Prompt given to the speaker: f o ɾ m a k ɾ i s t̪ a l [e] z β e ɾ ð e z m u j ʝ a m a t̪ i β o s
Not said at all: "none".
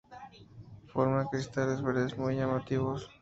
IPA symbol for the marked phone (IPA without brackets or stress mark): e